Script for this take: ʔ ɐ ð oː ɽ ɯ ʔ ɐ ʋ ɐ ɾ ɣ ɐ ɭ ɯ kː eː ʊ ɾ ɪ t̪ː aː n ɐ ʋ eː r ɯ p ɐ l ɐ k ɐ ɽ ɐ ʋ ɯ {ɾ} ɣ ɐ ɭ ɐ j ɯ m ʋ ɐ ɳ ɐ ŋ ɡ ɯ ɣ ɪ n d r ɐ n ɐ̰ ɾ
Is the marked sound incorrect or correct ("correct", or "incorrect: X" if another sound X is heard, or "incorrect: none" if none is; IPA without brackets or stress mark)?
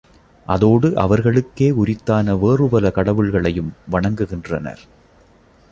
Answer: incorrect: ɭ